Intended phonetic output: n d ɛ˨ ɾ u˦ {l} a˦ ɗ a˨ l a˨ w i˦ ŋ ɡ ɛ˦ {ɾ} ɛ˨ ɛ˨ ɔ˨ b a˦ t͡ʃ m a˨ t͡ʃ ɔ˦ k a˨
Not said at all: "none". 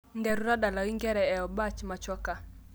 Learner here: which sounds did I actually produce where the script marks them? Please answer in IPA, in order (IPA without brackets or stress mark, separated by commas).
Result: ɾ, ɾ